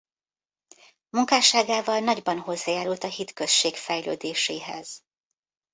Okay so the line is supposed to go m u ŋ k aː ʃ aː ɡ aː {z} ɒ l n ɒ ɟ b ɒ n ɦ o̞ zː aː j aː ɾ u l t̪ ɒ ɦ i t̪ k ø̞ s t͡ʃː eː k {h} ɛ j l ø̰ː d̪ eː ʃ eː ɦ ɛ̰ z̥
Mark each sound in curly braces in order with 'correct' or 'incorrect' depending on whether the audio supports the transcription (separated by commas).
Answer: incorrect, incorrect